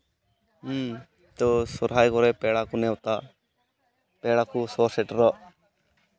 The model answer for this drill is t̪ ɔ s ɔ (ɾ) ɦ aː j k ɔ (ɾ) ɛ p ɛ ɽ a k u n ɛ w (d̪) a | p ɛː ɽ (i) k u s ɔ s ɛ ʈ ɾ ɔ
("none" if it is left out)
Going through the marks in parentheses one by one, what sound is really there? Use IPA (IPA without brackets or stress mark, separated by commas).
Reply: ɾ, ɾ, t̪, a